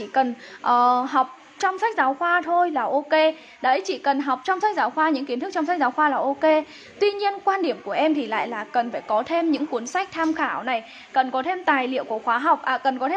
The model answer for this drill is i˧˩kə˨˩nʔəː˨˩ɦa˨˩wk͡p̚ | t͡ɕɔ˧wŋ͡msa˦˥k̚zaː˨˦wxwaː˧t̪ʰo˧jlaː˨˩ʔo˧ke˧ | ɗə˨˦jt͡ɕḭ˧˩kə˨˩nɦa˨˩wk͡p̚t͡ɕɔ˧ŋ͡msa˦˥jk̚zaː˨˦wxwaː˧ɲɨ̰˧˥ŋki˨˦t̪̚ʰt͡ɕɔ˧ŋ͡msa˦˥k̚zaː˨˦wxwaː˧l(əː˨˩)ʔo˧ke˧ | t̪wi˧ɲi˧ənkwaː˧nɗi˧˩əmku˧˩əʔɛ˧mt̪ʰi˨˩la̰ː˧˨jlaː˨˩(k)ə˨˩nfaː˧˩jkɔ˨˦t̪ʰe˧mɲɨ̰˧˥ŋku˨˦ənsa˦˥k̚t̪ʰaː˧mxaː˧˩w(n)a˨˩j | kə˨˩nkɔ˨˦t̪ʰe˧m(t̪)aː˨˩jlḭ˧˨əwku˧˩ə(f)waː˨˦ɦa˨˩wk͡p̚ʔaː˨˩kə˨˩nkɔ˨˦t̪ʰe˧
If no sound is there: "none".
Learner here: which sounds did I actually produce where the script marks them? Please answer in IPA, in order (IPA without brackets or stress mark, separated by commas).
aː˨˩, k, n, t̪, x